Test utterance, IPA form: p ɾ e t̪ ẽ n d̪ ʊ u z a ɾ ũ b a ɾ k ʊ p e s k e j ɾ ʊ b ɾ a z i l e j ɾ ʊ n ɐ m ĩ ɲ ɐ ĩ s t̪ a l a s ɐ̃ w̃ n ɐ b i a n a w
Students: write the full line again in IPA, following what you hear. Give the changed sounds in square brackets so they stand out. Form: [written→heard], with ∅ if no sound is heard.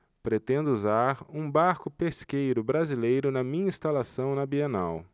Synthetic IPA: p ɾ e t̪ ẽ n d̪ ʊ u z a ɾ ũ b a ɾ k ʊ p e s k e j ɾ ʊ b ɾ a z i l e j ɾ ʊ n ɐ m ĩ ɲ ɐ ĩ s t̪ a l a s ɐ̃ w̃ n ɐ b i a n a w